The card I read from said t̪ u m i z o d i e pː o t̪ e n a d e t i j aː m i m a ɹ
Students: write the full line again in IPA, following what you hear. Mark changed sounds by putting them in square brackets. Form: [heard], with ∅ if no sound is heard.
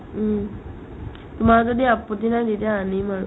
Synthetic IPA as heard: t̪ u m [a] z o d i [a] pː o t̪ [i] n a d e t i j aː [n] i m a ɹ